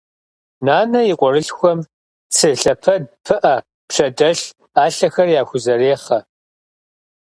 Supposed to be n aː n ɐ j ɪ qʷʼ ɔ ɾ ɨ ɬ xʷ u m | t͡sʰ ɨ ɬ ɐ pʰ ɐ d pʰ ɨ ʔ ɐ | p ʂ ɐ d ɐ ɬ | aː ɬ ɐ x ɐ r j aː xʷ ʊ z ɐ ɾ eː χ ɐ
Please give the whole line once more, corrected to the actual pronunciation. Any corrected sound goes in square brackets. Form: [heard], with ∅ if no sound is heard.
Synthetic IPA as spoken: n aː n ɐ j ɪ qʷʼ ɔ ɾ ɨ ɬ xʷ [ɔ] m | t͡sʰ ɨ ɬ ɐ pʰ ɐ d pʰ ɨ ʔ ɐ | p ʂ ɐ d ɐ ɬ | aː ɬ ɐ x ɐ r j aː xʷ ʊ z ɐ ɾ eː χ ɐ